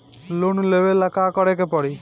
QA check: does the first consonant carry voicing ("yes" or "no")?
yes